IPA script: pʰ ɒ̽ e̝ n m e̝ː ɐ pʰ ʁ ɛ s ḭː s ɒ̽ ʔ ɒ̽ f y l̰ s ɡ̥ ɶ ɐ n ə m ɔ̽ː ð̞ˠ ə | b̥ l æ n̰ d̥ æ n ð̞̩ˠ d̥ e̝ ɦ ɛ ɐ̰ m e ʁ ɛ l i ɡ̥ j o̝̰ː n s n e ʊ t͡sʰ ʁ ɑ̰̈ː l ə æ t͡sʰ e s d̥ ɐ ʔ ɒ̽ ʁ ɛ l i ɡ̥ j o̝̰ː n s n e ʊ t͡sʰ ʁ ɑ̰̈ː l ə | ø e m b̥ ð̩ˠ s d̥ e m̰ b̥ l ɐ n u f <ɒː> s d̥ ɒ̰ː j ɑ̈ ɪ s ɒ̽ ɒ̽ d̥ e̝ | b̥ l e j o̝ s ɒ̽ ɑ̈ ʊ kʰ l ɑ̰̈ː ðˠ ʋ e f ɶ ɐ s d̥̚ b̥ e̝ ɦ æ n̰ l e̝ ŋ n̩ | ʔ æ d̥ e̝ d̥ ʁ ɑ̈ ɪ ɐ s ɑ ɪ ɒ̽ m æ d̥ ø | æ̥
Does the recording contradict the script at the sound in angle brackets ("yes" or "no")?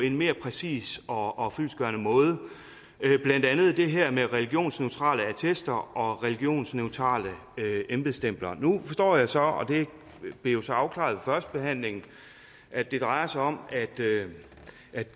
yes